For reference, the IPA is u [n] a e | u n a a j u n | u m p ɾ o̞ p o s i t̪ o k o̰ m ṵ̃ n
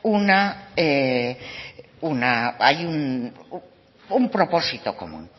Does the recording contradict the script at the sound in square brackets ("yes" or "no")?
no